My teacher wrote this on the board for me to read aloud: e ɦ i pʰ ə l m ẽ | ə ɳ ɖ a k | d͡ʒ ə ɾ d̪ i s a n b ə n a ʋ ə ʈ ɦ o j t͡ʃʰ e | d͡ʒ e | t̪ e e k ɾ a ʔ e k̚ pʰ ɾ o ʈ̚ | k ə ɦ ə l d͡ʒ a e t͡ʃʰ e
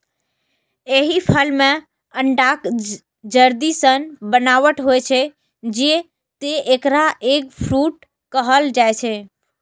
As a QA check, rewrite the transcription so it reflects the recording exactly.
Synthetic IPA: e ɦ i pʰ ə l m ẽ | ə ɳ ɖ a k | d͡ʒ ə ɾ d̪ i s ə n b ə n a ʋ ə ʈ ɦ o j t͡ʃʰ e | d͡ʒ e | t̪ e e k ɾ a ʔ e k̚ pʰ ɾ u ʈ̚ | k ə ɦ ə l d͡ʒ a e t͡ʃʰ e